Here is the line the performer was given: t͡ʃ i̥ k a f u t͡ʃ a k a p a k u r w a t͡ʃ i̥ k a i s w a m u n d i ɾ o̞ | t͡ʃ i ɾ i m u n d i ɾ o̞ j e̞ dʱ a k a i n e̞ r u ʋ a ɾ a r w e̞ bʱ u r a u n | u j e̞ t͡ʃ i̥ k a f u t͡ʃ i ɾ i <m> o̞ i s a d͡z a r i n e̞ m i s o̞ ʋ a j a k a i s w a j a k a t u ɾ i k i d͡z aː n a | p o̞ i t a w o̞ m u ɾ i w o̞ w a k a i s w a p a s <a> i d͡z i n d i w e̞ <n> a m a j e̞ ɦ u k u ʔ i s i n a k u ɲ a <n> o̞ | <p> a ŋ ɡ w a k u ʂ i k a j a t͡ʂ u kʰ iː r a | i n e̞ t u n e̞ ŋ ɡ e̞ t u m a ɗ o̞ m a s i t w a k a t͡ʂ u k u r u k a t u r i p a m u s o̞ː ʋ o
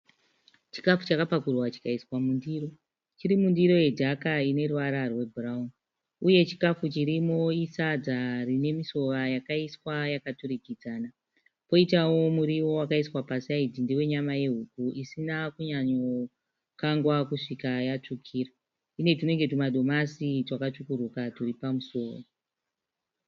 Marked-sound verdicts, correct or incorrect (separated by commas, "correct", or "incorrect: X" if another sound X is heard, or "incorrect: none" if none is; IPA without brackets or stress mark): correct, correct, incorrect: ɲ, incorrect: ɲ, incorrect: k